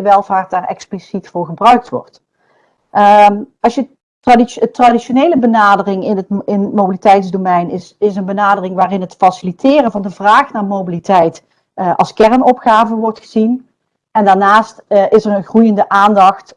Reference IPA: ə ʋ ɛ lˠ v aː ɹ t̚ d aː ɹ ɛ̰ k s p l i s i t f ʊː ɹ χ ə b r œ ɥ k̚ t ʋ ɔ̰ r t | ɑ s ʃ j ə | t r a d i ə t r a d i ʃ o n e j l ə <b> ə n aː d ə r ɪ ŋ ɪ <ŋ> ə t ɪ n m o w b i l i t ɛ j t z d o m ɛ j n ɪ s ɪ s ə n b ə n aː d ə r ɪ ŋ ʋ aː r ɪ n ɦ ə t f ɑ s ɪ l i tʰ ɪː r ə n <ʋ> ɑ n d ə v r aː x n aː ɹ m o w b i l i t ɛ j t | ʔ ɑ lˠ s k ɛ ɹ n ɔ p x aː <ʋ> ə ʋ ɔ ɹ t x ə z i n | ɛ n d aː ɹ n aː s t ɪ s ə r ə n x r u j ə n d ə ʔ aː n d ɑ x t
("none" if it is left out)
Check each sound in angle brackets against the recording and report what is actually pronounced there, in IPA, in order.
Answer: b, n, v, v

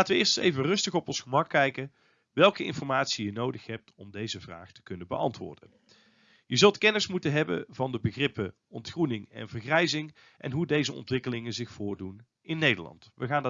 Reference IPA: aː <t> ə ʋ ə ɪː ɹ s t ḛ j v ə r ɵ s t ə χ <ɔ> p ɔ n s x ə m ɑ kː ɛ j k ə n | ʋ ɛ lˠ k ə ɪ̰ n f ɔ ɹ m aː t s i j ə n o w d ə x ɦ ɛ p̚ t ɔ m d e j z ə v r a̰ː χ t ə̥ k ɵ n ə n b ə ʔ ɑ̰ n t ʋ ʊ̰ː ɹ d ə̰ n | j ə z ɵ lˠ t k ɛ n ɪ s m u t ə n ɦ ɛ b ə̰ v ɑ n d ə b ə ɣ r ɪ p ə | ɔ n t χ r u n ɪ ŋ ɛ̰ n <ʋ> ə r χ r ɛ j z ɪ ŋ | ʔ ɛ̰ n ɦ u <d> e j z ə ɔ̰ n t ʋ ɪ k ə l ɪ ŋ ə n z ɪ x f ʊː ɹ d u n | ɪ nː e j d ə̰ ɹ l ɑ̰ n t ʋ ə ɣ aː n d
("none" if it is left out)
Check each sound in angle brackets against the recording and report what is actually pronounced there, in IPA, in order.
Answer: t, ɔ, v, d

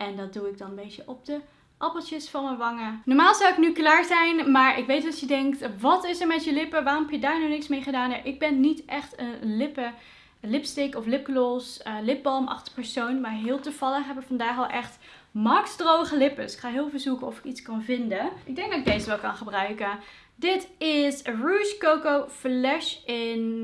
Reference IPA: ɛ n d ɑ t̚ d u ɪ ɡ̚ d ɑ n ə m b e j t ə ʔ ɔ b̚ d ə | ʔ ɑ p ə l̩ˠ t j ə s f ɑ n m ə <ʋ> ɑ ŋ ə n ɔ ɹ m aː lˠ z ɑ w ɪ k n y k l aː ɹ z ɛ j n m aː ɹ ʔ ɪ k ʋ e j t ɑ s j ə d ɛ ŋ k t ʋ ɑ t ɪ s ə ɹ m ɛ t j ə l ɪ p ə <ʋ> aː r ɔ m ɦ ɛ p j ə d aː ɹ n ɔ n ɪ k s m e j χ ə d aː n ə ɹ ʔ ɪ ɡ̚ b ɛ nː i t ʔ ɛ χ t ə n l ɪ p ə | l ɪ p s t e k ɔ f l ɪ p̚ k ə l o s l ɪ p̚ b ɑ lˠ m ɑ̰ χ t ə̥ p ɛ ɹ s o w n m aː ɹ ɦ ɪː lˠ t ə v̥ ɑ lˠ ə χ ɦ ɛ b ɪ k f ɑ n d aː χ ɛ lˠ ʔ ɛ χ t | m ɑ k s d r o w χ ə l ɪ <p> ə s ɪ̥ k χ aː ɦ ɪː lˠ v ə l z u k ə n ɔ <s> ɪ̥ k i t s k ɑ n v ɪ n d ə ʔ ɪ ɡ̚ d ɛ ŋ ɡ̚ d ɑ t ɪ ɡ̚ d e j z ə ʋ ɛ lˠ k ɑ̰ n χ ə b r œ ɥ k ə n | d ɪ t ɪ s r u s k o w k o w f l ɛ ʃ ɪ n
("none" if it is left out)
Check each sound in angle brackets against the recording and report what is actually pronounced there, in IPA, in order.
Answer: ʋ, ʋ, p, f

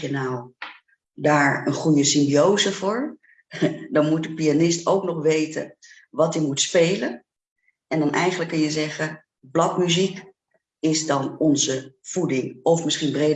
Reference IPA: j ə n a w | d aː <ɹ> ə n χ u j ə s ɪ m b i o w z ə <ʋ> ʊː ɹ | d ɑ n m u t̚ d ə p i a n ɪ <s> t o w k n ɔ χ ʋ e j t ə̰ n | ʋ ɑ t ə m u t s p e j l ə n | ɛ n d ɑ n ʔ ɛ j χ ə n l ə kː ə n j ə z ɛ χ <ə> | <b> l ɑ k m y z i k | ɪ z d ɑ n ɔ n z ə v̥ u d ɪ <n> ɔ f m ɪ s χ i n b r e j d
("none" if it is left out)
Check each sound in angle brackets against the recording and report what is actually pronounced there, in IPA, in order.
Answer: ɹ, v, s, ə, b, ŋ

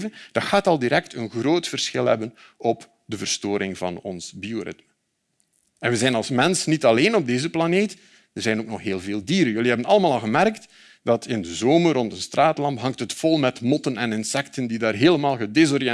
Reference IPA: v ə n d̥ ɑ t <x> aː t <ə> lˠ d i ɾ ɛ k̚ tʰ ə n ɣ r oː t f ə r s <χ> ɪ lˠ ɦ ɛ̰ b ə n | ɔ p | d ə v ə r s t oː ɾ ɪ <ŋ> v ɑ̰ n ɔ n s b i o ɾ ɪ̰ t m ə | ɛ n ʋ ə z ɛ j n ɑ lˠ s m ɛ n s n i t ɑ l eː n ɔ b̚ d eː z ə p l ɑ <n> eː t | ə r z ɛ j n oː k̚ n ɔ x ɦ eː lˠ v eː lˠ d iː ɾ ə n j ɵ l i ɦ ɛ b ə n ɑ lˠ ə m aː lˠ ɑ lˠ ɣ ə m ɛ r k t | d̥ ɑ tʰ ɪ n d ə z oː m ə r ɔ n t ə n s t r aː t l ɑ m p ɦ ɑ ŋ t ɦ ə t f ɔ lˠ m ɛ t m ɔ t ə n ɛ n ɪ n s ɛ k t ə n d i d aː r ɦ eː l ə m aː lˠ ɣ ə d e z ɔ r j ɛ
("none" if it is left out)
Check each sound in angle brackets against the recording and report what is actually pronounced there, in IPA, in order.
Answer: x, ɑ, x, ŋ, n

